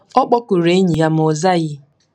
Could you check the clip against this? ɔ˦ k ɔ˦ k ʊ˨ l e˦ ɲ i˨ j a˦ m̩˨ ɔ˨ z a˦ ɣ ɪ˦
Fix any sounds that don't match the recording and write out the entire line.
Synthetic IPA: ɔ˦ k͡p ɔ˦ k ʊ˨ ɾ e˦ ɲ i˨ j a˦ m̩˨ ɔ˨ z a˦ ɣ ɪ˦